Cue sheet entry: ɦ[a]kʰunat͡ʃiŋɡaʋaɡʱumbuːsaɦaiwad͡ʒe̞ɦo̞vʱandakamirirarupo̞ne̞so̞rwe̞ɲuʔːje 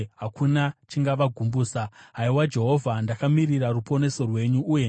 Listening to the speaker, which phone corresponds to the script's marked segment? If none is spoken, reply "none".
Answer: a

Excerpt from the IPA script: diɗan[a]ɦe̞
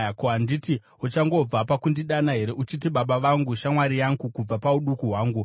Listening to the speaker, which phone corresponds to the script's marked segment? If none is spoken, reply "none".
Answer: a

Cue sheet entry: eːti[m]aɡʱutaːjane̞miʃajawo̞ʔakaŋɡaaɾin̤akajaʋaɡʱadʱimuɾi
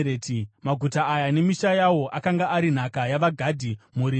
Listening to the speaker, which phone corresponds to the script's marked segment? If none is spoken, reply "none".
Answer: m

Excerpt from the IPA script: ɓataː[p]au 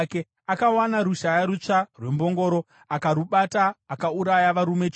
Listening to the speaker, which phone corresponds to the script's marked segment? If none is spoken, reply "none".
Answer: k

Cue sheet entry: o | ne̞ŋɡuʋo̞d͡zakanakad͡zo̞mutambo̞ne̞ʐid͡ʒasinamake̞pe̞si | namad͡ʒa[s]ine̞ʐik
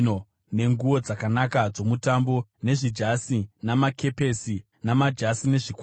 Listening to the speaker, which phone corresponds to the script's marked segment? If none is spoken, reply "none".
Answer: s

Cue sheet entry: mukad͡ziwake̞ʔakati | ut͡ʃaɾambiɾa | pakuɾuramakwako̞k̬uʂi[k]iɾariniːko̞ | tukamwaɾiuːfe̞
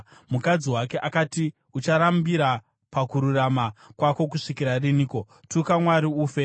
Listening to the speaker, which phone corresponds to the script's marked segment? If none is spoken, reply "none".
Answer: k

